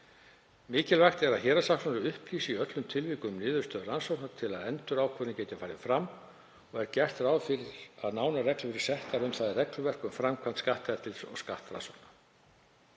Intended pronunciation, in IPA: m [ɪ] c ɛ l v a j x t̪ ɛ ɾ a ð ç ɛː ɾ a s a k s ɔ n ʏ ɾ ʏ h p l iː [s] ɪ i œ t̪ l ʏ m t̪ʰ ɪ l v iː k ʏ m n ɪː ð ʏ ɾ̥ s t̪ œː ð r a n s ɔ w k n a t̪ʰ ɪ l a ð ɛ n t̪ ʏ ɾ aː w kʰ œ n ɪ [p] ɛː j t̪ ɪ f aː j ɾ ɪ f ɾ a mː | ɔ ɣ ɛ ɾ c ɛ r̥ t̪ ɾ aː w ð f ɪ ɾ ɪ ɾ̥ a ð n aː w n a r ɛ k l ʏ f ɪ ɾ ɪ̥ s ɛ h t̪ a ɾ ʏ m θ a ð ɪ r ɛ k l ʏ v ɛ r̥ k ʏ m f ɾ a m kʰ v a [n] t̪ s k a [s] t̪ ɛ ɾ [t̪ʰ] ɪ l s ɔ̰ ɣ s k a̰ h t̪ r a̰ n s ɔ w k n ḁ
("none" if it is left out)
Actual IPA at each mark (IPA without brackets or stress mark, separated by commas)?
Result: ɪː, s, c, n, h, t̪